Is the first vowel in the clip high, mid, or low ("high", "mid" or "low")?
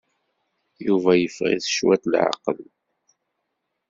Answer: high